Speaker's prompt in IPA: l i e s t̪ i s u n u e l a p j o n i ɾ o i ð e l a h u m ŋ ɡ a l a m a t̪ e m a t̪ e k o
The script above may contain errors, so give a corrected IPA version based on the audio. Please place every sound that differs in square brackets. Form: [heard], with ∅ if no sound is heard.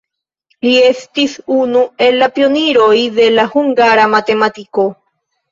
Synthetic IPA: l i e s t̪ i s u n u e l a p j o n i ɾ o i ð e l a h u [∅] ŋ ɡ a [ɾ] a m a t̪ e m a t̪ [i] k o